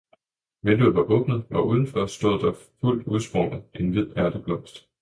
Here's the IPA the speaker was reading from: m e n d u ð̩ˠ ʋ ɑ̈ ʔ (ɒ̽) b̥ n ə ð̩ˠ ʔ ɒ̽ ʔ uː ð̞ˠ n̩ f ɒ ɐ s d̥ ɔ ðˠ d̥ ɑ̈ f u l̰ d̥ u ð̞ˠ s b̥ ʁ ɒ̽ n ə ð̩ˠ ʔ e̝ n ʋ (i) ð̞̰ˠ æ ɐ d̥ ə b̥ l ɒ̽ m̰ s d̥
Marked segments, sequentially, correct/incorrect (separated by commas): incorrect, correct